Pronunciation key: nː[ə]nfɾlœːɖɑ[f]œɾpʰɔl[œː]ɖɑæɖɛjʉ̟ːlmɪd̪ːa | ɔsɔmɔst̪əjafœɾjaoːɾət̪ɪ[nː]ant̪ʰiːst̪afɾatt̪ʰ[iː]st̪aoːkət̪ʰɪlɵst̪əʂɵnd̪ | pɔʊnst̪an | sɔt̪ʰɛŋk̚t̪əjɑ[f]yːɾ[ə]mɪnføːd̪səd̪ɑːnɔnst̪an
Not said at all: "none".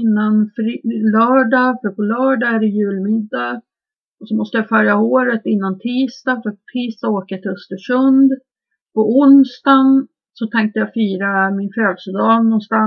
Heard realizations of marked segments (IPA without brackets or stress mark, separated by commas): a, f, œː, nː, iː, f, a